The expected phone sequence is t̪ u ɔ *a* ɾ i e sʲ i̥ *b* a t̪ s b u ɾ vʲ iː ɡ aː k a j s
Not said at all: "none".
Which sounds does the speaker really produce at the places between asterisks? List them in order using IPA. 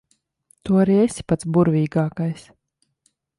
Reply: a, p

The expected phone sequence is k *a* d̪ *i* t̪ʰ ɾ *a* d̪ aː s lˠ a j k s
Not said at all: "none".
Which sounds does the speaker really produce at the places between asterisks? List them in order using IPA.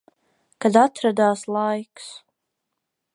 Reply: a, a, a

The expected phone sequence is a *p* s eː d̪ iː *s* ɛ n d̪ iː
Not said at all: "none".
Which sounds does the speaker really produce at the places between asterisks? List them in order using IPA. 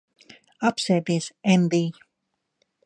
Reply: p, s

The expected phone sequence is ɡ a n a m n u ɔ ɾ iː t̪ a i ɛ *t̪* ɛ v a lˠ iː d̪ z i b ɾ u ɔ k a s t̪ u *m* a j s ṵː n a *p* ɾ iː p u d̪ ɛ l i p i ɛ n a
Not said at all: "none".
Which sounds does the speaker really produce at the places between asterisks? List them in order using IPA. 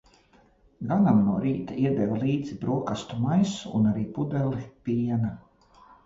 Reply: d̪, m, none

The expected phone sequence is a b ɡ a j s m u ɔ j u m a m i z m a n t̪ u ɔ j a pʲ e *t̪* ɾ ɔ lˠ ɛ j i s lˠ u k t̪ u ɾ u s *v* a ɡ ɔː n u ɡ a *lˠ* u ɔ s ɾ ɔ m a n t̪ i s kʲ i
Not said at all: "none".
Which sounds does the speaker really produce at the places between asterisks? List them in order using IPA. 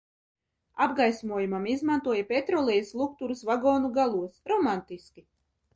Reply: t̪, v, lˠ

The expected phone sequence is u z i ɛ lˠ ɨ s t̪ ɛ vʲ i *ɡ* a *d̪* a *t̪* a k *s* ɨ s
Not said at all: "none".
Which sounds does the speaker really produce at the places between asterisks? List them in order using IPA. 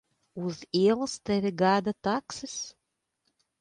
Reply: ɡ, d̪, t̪, s

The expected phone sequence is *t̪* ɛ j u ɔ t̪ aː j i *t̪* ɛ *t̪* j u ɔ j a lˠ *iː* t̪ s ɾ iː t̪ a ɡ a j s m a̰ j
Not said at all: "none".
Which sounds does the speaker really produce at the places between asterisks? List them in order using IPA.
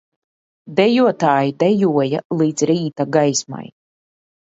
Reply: d̪, d̪, none, iː

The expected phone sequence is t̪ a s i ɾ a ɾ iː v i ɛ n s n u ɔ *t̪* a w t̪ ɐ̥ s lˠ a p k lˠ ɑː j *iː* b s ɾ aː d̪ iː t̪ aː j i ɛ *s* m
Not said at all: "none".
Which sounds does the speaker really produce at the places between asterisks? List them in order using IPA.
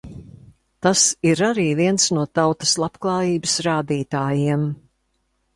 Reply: t̪, iː, none

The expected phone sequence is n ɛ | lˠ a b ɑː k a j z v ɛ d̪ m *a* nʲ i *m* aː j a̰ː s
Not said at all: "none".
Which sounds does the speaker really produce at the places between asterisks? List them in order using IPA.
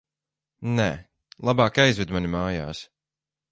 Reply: a, m

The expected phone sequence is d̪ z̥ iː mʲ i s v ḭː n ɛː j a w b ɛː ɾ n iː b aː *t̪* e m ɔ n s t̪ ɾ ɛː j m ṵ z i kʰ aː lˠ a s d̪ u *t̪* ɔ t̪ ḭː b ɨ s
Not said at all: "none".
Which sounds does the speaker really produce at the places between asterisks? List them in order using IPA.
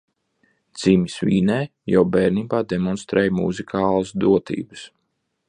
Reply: d̪, none

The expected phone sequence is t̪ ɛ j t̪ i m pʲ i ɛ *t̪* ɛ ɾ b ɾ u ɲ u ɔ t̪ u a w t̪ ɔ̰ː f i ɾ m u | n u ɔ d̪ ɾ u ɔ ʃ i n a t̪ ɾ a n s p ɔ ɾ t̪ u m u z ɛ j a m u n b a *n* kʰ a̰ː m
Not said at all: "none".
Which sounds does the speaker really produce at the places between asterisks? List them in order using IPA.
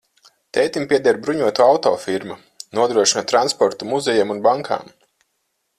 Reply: d̪, ŋ

